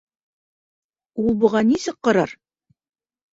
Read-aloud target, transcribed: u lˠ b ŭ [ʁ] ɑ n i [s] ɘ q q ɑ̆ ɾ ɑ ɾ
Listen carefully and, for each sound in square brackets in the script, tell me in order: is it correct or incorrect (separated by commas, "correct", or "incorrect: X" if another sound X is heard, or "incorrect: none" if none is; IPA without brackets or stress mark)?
correct, correct